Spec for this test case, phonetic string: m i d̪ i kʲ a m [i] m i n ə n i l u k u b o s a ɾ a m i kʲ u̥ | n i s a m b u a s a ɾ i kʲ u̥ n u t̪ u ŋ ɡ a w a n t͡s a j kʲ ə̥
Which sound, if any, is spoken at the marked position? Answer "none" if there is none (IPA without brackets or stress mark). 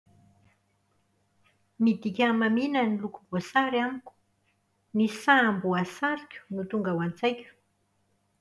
a